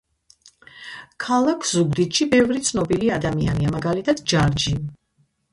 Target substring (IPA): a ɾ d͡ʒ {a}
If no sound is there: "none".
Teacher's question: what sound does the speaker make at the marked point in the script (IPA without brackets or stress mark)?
i